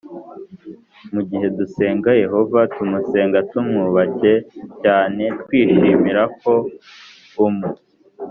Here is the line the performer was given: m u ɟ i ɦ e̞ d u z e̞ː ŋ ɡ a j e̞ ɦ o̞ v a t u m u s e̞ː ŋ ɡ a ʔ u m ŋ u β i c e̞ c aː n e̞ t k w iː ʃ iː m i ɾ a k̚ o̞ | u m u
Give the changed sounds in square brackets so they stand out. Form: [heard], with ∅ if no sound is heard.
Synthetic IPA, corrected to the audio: m u ɟ i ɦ e̞ d u [s] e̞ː ŋ ɡ a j e̞ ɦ o̞ v a t u m u s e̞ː ŋ ɡ a [t] u m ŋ u β [a] c e̞ c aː n e̞ t k w iː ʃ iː m i ɾ a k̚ o̞ | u m u